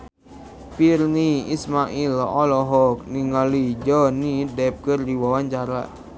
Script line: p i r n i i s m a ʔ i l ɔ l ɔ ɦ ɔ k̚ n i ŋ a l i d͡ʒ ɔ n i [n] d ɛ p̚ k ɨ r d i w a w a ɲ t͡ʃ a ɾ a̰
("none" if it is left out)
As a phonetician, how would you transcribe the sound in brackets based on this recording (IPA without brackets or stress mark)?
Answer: none